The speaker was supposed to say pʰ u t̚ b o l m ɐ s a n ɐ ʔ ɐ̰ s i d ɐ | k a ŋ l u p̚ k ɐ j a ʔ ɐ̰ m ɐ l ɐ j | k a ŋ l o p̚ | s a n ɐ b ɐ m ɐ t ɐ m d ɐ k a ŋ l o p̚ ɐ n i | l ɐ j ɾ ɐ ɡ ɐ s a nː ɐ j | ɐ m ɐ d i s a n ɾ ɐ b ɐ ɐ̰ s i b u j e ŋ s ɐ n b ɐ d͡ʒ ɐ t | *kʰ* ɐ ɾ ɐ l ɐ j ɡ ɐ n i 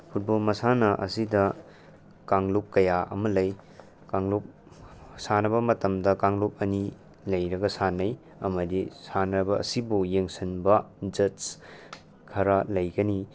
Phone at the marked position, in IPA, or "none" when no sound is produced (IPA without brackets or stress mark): kʰ